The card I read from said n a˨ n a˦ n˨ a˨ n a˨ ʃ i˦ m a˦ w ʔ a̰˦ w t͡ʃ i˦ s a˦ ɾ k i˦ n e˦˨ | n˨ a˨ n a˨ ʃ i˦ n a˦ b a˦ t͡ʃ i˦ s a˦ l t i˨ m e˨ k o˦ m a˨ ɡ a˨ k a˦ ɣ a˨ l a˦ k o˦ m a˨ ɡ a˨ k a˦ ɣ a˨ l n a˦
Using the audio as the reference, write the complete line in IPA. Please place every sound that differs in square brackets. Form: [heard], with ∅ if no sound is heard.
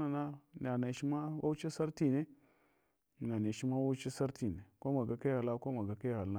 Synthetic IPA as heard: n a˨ n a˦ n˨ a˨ n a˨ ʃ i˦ m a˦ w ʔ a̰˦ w t͡ʃ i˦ s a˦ ɾ [t] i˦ n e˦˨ | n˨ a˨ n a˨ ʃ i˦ [m] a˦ [w] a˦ t͡ʃ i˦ s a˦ [ɾ] t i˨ [n] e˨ k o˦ m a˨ ɡ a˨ k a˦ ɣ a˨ l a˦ k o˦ m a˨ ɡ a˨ k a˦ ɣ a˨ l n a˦